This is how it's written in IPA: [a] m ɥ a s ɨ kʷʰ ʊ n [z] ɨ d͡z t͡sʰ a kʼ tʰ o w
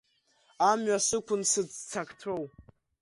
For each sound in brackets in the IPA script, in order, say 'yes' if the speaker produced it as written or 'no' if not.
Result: yes, no

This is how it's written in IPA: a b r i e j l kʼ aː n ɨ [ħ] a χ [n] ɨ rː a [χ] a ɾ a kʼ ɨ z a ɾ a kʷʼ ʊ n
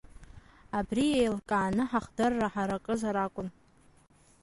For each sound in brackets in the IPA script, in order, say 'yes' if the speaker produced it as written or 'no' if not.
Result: yes, no, no

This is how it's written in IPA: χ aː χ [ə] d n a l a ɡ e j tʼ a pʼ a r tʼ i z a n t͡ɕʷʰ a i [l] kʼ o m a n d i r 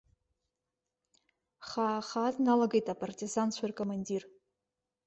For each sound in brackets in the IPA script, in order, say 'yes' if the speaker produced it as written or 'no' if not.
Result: no, no

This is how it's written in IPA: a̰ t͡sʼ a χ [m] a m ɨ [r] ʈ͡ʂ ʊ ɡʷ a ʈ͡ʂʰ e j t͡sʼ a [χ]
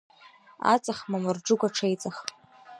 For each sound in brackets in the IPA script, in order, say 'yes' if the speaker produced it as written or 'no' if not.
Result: yes, yes, yes

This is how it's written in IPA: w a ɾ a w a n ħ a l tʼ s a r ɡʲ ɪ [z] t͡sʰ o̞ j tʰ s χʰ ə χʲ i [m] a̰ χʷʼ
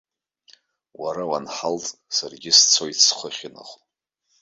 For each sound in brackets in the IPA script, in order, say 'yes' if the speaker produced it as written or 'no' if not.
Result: no, no

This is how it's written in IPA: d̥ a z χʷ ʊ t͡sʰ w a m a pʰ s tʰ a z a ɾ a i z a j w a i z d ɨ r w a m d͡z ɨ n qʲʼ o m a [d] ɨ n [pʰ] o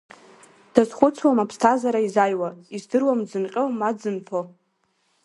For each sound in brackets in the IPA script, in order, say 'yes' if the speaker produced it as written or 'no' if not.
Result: no, yes

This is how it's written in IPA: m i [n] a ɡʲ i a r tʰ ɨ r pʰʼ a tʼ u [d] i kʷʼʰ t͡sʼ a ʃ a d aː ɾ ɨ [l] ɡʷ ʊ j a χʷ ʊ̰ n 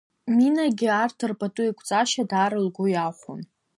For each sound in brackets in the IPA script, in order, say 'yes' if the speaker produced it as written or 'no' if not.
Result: yes, no, yes

